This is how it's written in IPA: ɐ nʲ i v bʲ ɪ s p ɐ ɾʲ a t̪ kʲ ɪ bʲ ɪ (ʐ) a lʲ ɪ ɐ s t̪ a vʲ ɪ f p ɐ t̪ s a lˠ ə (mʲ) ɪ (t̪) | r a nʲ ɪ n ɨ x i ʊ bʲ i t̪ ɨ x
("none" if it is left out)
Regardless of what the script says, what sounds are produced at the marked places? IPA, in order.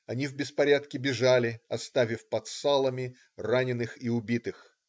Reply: ʐ, mʲ, none

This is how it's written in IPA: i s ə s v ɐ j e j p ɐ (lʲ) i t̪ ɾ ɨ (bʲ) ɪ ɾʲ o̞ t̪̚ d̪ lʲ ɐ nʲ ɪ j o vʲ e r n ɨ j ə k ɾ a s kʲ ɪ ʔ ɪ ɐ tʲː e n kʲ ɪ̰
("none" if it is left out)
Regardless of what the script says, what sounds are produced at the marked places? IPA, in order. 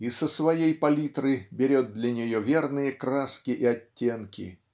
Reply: lʲ, bʲ

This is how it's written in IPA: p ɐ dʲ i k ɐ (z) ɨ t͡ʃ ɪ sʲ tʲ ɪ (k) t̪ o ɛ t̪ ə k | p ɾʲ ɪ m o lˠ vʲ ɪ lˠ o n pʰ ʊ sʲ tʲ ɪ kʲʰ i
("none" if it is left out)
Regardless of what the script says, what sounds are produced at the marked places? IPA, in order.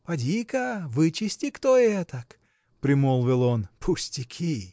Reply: v, k

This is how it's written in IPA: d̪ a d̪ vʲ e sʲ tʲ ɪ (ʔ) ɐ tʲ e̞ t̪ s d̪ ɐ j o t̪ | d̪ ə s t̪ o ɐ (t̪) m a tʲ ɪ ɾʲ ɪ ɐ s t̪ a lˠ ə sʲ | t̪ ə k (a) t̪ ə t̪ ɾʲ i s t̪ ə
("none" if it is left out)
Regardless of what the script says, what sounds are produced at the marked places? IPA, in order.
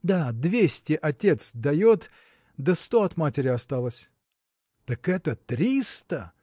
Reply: ʔ, t̪, ɛ

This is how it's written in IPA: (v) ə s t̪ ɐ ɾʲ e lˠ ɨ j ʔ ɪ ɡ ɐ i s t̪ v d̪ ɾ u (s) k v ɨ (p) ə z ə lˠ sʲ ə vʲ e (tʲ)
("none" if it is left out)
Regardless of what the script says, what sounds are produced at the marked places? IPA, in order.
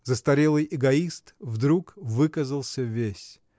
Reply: z, none, k, sʲ

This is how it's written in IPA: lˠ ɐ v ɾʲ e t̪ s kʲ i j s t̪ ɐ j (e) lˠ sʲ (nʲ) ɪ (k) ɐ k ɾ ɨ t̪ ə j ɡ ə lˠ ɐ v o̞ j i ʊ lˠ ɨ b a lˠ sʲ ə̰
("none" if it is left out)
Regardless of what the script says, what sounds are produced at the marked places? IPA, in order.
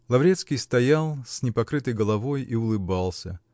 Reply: a, nʲ, p

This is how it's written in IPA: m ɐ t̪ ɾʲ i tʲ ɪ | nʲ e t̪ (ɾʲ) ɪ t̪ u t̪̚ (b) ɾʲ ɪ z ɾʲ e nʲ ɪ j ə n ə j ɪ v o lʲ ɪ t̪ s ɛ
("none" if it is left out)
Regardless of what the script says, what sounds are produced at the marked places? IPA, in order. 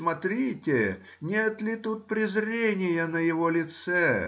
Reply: lʲ, p

